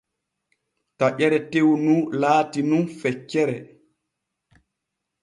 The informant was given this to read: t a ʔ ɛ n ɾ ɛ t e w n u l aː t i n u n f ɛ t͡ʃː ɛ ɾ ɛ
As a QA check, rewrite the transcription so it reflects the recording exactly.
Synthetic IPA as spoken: t a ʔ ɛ ɾ ɛ t e w n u l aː t i n u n f ɛ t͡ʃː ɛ ɾ ɛ